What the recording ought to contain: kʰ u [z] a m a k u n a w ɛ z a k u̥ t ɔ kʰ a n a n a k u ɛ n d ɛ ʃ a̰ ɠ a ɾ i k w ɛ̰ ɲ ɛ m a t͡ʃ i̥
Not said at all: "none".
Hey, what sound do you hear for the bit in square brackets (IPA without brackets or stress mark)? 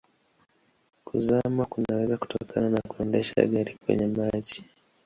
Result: z